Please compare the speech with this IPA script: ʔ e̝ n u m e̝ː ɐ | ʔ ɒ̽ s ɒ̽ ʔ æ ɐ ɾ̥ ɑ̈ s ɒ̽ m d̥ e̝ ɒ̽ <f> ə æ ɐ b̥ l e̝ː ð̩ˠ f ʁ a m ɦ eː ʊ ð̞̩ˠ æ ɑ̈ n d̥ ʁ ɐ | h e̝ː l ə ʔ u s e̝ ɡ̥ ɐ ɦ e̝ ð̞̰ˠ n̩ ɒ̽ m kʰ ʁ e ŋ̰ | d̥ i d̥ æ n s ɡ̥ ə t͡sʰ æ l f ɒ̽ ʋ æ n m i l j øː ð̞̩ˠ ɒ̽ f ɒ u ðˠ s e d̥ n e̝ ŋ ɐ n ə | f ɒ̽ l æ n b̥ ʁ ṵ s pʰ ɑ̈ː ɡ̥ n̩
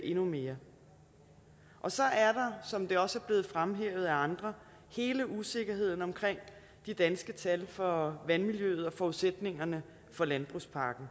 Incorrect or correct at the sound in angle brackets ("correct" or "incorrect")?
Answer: incorrect